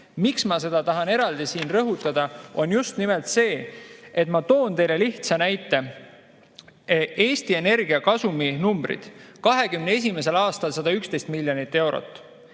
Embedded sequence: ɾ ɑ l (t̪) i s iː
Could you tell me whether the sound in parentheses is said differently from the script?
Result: yes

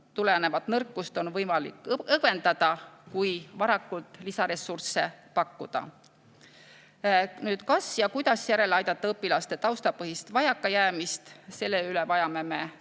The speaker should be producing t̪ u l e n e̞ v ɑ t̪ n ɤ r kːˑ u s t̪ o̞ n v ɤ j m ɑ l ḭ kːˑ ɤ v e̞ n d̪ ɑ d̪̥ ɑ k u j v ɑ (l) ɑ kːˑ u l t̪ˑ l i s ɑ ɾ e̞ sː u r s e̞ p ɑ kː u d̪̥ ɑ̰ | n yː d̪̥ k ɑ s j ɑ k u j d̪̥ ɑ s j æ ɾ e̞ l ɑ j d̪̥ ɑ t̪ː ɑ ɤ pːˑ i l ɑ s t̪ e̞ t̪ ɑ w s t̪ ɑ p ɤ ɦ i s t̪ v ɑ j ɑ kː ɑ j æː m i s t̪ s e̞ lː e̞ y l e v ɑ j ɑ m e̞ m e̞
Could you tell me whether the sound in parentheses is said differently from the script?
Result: yes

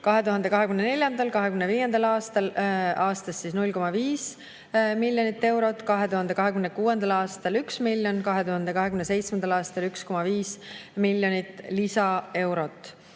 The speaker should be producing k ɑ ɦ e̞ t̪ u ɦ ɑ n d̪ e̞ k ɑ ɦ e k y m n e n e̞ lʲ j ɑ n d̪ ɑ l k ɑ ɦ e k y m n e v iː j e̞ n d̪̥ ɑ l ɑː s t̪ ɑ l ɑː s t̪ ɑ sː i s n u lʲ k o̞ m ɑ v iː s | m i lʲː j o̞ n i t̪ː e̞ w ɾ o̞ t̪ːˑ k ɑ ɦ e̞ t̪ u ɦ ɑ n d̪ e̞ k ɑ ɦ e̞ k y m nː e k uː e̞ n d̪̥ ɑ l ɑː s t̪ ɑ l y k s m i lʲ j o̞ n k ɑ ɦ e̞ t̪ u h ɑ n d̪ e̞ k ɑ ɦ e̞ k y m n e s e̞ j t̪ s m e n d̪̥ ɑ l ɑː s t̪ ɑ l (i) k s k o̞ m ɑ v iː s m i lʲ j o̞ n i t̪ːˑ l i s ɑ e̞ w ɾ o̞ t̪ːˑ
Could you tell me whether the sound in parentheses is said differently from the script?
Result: yes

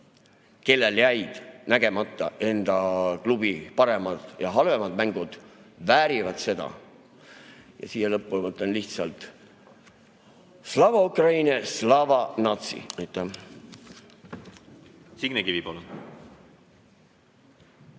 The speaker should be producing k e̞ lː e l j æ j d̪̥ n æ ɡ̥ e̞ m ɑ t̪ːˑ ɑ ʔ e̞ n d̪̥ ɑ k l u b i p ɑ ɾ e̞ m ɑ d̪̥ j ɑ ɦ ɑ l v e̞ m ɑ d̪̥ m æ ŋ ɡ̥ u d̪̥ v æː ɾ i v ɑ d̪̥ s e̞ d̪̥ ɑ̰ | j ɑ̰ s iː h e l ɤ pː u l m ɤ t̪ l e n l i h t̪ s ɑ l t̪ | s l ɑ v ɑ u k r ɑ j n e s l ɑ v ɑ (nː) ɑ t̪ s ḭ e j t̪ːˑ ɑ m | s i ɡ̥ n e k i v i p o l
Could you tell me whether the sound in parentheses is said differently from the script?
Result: yes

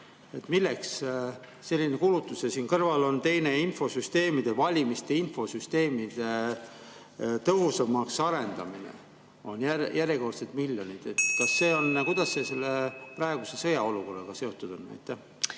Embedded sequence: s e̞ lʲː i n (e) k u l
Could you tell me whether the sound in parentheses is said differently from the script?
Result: no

